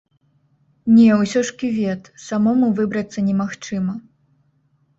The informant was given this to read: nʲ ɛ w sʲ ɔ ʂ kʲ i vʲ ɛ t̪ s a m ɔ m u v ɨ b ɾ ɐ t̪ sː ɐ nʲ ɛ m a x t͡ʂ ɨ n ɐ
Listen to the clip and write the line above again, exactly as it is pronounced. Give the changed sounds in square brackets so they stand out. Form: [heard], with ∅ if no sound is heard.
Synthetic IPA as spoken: nʲ ɛ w sʲ ɔ ʂ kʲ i vʲ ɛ t̪ s a m ɔ m u v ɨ b ɾ ɐ t̪ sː ɐ nʲ ɛ m a x t͡ʂ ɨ [m] ɐ